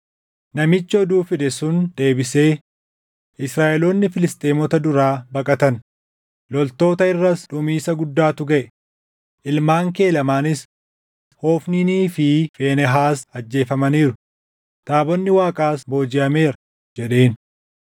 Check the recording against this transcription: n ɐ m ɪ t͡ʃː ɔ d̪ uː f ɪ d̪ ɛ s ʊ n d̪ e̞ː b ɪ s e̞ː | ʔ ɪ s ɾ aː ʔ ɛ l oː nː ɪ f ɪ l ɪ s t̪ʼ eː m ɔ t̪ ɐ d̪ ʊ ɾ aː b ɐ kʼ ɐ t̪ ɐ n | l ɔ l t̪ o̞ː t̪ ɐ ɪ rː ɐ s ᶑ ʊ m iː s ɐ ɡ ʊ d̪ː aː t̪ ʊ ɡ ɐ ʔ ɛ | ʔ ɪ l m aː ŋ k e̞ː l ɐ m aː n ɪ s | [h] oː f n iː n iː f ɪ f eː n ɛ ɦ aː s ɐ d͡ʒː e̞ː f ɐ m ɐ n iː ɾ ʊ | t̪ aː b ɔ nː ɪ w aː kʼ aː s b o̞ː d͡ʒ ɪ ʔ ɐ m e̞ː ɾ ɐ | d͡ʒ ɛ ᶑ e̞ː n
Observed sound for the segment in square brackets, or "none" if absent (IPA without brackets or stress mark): h